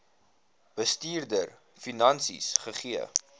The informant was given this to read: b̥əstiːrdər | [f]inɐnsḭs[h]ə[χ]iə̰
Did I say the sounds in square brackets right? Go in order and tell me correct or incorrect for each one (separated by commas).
correct, incorrect, correct